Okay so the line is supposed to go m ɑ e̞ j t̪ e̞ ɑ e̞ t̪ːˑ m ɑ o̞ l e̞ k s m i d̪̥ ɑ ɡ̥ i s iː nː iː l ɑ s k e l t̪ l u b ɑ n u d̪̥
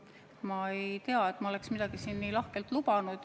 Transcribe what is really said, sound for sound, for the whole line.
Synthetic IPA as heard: m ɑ e̞ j t̪ e̞ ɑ e̞ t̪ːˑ m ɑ o̞ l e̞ k s m i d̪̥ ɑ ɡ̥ i s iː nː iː l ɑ h k e l t̪ l u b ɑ n u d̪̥